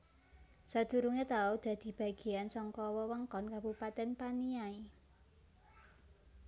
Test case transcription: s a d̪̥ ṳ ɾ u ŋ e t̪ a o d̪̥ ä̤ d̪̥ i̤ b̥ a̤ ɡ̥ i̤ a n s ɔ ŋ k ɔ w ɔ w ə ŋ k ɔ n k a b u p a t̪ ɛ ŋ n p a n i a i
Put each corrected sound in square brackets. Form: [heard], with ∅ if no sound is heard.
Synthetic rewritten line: s a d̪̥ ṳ ɾ u ŋ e t̪ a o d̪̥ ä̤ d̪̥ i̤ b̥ a̤ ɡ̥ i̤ a n s ɔ ŋ k ɔ w ɔ w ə ŋ k ɔ n k a b u p a t̪ ɛ [∅] n p a n i a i